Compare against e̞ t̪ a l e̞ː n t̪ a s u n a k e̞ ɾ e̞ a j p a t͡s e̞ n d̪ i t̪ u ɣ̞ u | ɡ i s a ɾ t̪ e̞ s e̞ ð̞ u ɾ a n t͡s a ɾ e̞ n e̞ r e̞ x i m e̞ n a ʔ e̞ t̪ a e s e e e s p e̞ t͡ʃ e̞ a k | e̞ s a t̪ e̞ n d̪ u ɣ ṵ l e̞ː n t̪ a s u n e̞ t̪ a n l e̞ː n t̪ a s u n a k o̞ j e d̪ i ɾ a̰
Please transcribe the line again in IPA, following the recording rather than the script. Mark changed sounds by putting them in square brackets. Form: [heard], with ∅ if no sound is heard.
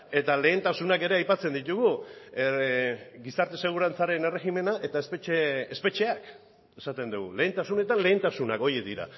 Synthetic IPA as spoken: e̞ t̪ a l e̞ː n t̪ a s u n a k e̞ ɾ e̞ a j p a t͡s e̞ n d̪ i t̪ u ɣ̞ u | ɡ i s a ɾ t̪ e̞ s e̞ [ɣ̞] u ɾ a n t͡s a ɾ e̞ n e̞ r e̞ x i m e̞ n a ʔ e̞ t̪ a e s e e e s p e̞ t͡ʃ e̞ a k | e̞ s a t̪ e̞ n d̪ u ɣ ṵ l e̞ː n t̪ a s u n e̞ t̪ a n l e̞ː n t̪ a s u n a k o̞ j e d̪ i ɾ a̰